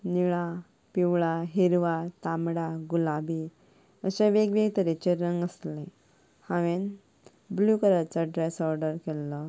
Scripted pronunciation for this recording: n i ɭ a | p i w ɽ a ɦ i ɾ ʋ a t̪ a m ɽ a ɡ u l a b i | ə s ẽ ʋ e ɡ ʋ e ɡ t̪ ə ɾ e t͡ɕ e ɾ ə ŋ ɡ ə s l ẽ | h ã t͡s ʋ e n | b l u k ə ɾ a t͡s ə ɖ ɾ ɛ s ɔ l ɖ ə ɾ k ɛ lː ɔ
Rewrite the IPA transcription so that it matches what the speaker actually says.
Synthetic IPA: n i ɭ a | p i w ɭ a ɦ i ɾ ʋ a t̪ a m ɽ a ɡ u l a b i | ə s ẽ ʋ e ɡ ʋ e ɡ t̪ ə ɾ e t͡ɕ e ɾ ə ŋ ɡ ə s l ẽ | h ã ʋ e n | b l u k ə ɾ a t͡s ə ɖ ɾ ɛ s ɔ ɾ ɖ ə ɾ k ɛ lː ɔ